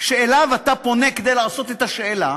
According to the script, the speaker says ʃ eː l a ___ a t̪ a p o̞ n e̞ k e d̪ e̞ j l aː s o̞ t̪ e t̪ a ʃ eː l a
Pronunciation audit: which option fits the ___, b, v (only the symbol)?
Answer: v